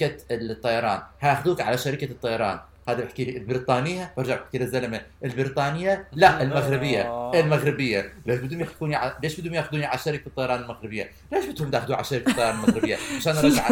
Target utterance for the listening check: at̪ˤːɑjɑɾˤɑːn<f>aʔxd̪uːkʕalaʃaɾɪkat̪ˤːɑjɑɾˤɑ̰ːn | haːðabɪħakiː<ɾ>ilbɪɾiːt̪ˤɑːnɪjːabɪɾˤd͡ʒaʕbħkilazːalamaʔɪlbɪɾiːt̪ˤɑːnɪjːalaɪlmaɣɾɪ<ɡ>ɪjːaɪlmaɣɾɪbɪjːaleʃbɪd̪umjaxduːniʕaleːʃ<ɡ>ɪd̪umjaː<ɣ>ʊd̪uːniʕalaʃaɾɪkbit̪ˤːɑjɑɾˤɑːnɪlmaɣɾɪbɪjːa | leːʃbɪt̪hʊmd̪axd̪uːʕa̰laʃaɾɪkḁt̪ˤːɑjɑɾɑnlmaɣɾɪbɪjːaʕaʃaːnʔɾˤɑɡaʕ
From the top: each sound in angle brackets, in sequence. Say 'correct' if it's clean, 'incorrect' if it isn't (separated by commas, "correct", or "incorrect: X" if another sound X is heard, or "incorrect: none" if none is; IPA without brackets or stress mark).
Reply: incorrect: h, incorrect: l, incorrect: b, incorrect: b, incorrect: x